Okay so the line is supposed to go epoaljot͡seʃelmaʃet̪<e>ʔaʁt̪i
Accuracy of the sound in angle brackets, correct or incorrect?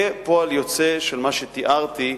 incorrect